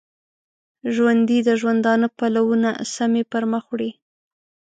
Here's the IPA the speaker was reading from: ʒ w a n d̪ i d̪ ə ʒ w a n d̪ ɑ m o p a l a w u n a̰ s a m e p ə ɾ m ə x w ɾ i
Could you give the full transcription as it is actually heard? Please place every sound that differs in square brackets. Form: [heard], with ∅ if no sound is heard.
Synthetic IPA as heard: ʒ w a n d̪ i d̪ ə ʒ w a n d̪ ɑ [n] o p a l a w u n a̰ s a m e p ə ɾ m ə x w [ɽ] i